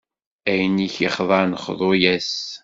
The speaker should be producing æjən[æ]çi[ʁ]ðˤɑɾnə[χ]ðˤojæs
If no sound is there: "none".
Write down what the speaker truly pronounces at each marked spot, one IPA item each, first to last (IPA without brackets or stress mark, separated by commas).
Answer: i, χ, χ